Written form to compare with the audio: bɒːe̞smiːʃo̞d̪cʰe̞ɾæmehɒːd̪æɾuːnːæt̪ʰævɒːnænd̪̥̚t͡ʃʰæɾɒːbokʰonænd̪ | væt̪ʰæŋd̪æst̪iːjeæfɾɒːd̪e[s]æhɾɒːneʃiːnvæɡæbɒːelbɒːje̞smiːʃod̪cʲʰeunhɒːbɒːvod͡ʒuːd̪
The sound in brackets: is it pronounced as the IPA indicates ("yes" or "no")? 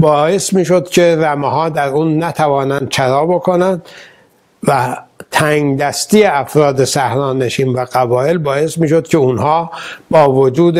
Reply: yes